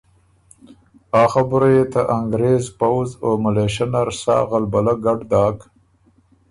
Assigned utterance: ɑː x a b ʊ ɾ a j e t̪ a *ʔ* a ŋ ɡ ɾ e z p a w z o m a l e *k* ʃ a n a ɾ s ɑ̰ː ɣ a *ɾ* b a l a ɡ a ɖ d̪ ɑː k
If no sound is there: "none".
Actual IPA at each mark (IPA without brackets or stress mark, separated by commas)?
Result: ʔ, none, l